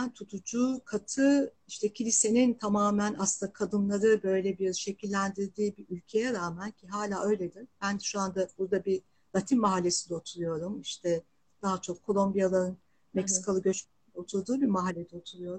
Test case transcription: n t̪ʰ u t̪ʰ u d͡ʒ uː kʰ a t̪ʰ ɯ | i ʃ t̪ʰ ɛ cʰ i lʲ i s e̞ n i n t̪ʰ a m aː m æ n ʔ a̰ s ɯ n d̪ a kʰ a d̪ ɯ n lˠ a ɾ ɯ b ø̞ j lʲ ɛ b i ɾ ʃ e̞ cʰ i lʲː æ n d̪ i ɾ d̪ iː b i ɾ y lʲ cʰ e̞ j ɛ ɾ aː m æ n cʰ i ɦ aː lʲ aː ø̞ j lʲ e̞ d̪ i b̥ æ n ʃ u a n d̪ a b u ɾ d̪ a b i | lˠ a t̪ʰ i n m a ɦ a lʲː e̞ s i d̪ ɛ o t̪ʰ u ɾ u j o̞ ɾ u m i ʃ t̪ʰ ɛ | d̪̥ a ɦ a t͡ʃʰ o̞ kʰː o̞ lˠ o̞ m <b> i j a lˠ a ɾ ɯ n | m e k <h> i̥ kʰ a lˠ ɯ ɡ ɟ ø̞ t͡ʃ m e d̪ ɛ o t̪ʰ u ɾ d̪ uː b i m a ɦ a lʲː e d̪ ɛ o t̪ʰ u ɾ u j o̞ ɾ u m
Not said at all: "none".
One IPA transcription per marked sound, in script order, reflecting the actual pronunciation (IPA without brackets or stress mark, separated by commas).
b, s